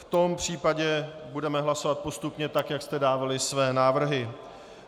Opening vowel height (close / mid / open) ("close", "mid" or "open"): mid